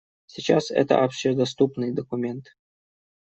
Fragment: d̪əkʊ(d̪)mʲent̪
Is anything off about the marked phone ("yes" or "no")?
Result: yes